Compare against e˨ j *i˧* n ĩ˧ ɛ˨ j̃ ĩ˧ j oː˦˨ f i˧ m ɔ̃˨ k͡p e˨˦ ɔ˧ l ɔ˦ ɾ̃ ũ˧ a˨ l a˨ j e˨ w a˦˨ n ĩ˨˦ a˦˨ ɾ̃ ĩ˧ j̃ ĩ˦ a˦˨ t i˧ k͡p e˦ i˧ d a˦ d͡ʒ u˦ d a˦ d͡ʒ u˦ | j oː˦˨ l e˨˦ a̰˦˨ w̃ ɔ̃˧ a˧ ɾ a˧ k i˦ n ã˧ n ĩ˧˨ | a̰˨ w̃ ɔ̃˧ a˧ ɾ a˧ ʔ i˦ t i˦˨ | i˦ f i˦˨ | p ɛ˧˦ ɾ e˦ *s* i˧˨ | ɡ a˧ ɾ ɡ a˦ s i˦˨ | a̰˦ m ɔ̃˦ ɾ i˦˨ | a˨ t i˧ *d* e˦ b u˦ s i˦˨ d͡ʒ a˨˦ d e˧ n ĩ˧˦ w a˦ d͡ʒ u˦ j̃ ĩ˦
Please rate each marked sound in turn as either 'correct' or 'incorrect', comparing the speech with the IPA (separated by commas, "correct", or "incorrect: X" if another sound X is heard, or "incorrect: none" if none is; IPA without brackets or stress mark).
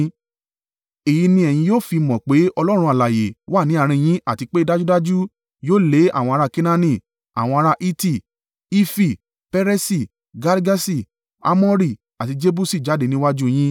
correct, correct, incorrect: d͡ʒ